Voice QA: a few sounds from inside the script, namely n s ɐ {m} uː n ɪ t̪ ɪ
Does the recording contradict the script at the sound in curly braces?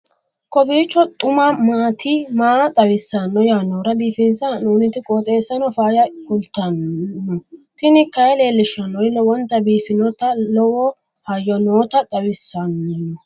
yes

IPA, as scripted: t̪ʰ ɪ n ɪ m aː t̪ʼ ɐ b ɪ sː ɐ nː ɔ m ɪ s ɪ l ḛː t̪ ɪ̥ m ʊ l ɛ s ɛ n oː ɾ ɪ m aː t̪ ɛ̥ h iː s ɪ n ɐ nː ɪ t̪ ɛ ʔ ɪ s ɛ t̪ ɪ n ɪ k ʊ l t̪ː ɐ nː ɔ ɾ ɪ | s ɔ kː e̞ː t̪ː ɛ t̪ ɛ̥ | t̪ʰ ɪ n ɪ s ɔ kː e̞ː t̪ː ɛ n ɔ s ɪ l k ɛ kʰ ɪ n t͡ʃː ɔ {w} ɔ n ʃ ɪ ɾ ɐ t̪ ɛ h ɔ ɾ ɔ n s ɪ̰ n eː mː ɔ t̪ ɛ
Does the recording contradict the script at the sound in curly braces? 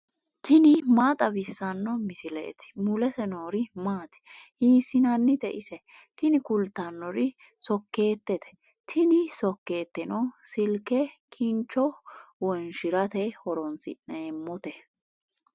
no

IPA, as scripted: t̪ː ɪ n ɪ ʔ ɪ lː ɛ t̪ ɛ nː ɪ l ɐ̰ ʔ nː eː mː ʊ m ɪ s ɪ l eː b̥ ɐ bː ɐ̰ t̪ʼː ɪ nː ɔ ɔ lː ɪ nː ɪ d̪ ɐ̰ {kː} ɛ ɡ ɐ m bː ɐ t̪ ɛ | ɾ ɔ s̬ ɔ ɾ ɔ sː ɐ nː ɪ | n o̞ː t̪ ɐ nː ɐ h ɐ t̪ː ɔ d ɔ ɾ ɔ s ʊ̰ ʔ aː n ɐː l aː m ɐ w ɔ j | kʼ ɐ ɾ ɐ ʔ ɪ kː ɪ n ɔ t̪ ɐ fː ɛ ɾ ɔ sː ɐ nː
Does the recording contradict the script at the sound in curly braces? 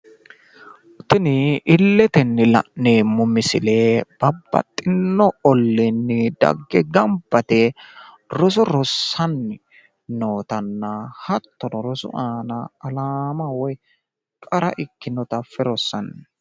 yes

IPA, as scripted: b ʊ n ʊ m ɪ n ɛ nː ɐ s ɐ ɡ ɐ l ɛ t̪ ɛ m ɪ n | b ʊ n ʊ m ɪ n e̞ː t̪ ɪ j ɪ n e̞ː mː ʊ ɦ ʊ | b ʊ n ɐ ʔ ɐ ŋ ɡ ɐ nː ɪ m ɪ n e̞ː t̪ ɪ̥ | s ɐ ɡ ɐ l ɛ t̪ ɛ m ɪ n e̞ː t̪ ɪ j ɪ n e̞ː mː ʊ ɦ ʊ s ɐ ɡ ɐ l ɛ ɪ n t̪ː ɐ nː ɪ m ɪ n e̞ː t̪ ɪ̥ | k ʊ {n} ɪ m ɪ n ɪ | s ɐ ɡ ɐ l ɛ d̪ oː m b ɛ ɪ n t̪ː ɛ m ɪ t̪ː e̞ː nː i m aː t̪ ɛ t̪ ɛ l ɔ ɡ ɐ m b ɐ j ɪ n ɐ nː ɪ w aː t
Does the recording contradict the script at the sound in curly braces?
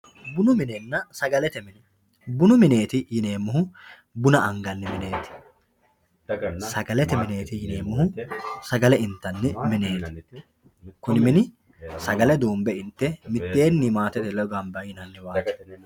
no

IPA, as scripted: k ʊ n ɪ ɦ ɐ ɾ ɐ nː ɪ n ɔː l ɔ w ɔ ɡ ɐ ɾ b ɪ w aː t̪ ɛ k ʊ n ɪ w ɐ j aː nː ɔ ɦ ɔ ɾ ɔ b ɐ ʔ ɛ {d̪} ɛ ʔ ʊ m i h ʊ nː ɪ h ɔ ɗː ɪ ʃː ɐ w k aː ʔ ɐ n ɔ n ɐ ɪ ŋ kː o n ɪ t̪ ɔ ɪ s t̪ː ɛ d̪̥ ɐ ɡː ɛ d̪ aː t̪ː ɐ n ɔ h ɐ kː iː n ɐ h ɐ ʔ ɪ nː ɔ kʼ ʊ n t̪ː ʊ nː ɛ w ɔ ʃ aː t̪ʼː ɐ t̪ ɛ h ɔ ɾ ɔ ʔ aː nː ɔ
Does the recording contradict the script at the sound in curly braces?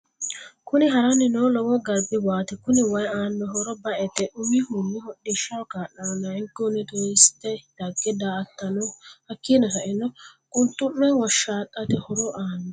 yes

